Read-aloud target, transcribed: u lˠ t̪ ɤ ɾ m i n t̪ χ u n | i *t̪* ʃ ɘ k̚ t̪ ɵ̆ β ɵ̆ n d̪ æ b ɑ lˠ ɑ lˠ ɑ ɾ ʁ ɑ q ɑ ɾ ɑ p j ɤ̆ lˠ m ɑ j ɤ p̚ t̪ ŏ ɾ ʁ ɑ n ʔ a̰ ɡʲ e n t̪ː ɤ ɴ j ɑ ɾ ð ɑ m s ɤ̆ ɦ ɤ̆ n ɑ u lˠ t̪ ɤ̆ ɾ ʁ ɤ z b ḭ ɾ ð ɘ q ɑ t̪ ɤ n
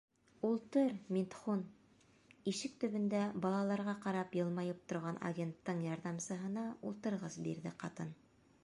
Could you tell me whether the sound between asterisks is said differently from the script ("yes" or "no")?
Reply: yes